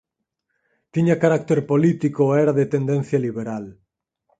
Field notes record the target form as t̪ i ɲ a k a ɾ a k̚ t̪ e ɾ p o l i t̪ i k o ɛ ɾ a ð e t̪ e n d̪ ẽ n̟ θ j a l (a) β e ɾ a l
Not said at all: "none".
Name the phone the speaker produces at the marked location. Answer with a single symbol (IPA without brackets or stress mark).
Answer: i